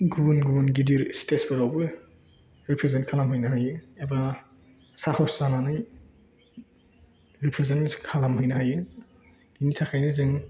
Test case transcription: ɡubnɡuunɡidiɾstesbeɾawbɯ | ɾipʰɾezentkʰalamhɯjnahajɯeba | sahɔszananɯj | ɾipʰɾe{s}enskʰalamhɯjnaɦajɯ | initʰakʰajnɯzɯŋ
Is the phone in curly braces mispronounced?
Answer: yes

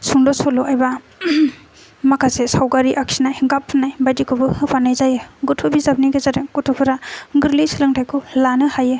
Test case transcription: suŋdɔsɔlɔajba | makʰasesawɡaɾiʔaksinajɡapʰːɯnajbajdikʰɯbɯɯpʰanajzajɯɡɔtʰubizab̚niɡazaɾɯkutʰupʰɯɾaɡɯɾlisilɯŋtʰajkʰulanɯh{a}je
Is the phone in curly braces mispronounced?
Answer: no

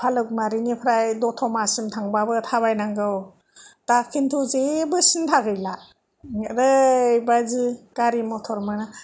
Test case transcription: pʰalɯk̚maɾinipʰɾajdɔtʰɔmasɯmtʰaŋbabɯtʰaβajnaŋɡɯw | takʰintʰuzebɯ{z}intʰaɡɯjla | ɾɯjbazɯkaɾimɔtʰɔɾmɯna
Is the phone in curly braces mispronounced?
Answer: yes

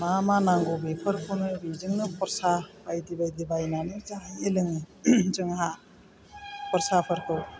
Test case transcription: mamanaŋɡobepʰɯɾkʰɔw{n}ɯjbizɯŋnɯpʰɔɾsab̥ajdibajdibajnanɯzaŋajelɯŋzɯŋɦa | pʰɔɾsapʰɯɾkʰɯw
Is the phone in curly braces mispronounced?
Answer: no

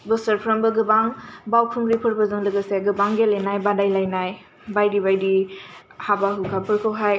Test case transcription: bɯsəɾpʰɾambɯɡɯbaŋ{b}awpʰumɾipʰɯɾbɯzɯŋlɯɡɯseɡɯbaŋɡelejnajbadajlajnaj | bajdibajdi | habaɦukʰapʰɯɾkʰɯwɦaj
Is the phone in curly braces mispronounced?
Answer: no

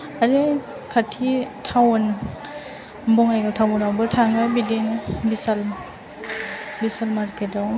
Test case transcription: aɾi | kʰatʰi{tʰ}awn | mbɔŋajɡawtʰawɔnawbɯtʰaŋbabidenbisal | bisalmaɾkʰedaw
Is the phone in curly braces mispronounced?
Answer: no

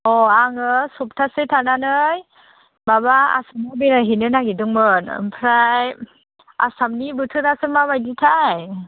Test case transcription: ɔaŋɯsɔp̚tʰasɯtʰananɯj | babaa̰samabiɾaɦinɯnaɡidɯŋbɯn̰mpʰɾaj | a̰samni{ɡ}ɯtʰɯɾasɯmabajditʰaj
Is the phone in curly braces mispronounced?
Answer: yes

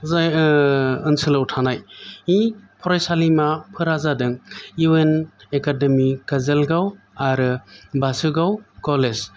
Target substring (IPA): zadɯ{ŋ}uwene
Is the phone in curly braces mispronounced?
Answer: no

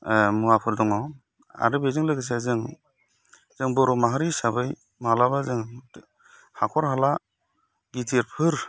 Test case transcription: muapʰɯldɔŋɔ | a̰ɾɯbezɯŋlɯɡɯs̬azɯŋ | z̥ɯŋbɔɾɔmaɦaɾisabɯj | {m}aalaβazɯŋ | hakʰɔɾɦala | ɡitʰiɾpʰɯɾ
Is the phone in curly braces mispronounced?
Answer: no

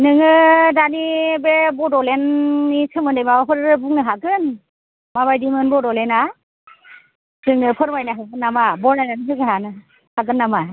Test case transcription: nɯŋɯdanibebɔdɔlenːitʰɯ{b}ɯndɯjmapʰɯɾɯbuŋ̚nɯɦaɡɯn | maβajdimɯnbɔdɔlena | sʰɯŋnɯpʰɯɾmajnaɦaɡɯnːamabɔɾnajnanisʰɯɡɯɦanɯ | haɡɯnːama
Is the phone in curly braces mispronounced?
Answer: yes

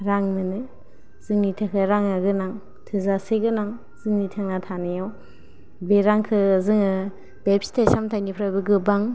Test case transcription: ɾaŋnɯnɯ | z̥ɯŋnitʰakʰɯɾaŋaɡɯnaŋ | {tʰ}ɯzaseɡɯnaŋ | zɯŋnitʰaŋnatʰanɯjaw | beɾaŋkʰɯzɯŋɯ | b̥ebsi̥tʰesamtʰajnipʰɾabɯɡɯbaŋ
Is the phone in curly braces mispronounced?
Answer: no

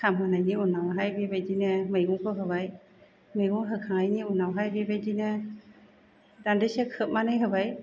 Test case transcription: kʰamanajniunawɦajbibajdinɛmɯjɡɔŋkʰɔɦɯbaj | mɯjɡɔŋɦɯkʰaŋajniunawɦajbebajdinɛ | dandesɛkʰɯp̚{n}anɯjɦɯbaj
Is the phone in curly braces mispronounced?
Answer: yes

